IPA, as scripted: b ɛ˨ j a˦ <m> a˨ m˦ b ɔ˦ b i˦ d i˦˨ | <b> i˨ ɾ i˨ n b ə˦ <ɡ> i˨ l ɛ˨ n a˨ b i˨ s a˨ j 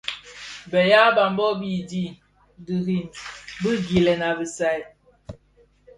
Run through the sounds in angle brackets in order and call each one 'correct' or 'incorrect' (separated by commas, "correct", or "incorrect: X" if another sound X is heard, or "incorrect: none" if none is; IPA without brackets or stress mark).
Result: incorrect: b, incorrect: d, correct